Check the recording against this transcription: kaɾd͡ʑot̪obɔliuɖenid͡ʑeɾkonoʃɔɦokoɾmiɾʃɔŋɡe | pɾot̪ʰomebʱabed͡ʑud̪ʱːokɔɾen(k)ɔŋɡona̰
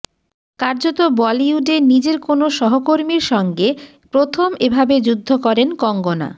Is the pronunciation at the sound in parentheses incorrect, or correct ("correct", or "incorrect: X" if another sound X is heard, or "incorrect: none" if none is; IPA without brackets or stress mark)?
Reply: correct